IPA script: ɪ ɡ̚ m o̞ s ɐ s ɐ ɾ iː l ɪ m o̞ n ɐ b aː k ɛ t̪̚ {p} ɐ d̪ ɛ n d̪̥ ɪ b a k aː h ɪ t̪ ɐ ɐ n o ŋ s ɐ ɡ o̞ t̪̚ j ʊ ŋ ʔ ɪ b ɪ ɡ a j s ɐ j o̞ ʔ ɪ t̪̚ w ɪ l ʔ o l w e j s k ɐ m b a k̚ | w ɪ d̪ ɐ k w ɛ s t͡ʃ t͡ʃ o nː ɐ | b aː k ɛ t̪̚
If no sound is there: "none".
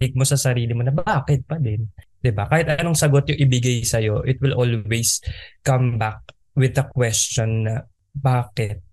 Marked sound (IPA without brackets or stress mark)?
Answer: p